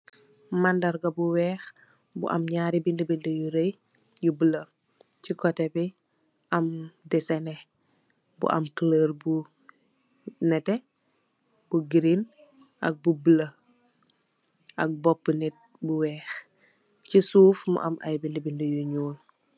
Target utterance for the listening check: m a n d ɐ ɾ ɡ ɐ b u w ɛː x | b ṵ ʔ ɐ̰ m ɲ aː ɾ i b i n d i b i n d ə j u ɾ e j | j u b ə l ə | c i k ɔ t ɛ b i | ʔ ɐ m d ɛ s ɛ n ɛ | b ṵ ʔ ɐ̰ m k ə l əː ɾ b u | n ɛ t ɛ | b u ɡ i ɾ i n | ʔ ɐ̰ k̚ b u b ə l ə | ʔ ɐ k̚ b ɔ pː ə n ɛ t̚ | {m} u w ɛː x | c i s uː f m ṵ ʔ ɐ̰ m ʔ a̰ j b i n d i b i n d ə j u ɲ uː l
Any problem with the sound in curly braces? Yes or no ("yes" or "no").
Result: yes